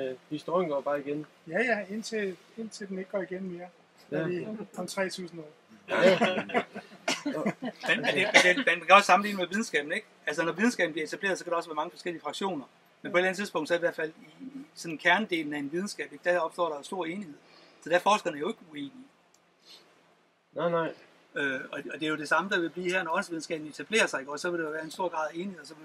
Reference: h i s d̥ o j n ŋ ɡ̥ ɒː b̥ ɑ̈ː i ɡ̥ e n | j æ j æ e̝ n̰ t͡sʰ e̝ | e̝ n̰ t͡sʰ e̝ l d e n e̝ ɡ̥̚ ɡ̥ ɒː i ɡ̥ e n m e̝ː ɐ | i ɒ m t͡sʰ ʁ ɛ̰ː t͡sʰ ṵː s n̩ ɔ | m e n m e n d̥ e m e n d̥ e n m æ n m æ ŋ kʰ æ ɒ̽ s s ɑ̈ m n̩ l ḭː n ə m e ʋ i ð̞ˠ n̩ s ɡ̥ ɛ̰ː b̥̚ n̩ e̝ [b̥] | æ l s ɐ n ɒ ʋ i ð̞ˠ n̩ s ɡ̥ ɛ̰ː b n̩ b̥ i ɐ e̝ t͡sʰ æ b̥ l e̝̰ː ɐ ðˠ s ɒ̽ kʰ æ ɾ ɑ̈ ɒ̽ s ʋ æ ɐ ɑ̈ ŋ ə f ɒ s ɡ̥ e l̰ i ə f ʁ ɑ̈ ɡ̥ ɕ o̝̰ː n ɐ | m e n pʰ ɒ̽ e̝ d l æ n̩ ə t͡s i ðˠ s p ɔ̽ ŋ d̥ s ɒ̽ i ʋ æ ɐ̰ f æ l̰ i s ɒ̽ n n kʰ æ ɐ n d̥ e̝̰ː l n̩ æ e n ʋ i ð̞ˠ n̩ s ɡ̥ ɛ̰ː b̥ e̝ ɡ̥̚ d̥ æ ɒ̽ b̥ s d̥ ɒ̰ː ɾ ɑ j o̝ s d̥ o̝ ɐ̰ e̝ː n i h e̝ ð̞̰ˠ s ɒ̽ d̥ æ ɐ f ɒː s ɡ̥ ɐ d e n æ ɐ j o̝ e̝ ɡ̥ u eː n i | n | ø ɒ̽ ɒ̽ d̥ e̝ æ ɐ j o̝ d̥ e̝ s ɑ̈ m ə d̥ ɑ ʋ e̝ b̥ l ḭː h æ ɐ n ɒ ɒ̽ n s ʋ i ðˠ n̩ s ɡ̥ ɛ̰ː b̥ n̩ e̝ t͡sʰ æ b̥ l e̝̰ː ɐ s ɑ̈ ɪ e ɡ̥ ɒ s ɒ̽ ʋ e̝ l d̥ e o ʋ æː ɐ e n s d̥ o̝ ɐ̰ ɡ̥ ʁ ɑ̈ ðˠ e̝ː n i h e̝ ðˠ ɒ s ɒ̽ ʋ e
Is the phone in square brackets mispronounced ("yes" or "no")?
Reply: yes